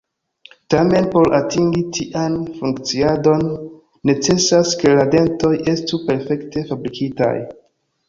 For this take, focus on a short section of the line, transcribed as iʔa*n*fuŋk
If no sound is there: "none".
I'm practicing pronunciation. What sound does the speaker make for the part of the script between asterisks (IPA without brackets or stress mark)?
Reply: n